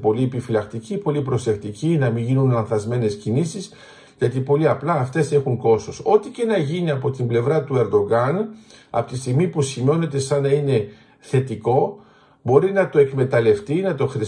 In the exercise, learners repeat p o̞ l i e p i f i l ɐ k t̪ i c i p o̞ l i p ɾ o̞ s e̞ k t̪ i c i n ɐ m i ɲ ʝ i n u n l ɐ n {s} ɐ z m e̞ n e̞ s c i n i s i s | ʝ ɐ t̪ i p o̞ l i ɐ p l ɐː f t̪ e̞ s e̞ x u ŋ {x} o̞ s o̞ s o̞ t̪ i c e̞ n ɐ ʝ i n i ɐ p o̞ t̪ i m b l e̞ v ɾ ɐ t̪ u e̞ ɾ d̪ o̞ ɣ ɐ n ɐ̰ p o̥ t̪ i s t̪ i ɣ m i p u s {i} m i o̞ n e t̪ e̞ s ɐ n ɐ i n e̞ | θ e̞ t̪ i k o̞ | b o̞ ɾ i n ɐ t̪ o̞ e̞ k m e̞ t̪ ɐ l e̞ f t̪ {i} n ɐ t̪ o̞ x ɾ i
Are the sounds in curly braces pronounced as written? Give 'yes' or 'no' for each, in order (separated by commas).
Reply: no, no, yes, yes